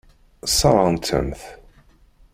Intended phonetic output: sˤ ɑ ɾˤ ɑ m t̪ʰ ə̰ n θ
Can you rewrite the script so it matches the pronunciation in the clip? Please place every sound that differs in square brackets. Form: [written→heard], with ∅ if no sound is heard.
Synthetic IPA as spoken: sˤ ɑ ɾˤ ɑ [m→n] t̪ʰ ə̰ [n→m] θ

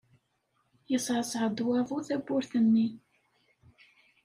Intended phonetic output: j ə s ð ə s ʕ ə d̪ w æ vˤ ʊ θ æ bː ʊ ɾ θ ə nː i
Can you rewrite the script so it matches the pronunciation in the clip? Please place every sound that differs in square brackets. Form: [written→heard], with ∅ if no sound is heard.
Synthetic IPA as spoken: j ə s [ð→ʕ] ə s ʕ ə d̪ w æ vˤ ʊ θ æ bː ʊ ɾ θ ə nː i

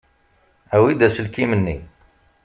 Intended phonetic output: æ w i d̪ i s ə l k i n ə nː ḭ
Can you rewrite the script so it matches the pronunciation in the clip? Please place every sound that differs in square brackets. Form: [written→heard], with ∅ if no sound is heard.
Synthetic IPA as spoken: æ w i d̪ [i→æ] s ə l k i [n→m] ə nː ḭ

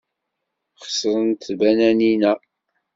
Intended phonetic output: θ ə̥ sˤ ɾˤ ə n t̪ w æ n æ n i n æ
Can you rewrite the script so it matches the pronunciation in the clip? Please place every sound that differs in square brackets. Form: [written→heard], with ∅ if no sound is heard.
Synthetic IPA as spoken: [θ→χ] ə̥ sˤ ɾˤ ə n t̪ [w→b] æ n æ n i n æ

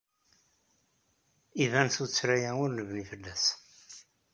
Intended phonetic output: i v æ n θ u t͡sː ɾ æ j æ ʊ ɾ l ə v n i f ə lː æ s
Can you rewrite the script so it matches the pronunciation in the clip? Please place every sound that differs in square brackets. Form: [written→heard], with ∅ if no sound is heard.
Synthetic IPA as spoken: i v æ n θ u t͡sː ɾ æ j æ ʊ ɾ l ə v n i f ə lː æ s

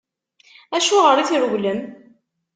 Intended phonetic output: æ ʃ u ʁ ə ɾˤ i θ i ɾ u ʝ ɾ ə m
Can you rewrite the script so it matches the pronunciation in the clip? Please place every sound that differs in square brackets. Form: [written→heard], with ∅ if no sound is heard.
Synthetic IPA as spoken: æ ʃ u ʁ ə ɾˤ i θ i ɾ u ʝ [ɾ→l] ə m

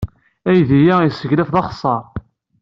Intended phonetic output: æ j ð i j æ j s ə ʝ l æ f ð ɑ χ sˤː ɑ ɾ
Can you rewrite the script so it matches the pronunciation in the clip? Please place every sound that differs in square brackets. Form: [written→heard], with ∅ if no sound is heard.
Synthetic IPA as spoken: æ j ð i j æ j s ə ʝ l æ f ð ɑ χ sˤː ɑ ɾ

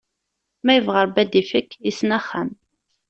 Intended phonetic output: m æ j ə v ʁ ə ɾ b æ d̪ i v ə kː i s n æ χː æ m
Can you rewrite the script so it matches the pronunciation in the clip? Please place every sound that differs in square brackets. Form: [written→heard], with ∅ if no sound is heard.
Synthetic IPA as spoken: m æ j ə v ʁ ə ɾ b æ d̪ i [v→f] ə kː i s n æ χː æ m

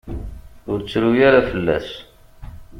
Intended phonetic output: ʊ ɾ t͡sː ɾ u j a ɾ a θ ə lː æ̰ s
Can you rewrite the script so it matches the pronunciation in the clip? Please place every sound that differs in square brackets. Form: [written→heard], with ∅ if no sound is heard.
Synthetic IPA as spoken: ʊ ɾ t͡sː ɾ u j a ɾ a [θ→f] ə lː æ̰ s

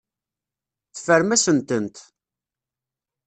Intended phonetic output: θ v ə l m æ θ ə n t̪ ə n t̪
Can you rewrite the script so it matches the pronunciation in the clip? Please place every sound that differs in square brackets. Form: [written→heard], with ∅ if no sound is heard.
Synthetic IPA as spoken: θ [v→f] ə [l→ɾ] m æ [θ→s] ə n t̪ ə n t̪

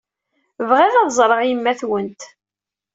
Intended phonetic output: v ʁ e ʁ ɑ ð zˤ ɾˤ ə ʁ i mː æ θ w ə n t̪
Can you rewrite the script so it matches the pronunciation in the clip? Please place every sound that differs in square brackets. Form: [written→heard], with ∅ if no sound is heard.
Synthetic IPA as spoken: v ʁ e [ʁ→ð] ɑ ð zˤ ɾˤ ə ʁ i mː æ θ w ə n t̪

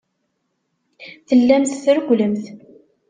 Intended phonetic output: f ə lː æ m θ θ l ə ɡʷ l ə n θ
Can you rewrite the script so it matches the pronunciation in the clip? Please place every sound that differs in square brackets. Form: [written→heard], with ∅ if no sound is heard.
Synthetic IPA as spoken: [f→θ] ə lː æ m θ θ [l→ɾ] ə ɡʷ l ə [n→m] θ

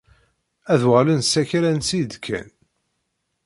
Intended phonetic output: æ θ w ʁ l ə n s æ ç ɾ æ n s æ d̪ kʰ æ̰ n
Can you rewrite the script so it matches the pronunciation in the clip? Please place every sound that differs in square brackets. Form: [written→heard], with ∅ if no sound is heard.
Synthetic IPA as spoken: æ [θ→ð] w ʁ l ə n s æ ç ɾ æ n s [æ→i] d̪ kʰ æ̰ n

